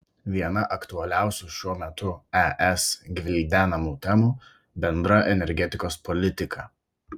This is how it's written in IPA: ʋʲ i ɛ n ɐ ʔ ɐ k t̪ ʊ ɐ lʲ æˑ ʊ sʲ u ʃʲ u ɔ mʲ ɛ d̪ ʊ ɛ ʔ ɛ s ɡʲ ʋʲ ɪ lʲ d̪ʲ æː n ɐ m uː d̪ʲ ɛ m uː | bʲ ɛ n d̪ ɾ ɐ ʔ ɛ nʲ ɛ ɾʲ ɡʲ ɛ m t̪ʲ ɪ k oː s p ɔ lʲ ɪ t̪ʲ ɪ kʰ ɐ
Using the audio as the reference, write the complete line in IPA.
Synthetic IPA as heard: ʋʲ i ɛ n ɐ ʔ ɐ k t̪ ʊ ɐ lʲ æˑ ʊ sʲ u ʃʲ u ɔ mʲ ɛ t̪ ʊ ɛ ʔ ɛ s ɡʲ ʋʲ ɪ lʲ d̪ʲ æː n ɐ m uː t̪ʲ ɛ m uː | bʲ ɛ n d̪ ɾ ɐ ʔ ɛ nʲ ɛ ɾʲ ɡʲ ɛ t̪ʲ ɪ k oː s p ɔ lʲ ɪ t̪ʲ ɪ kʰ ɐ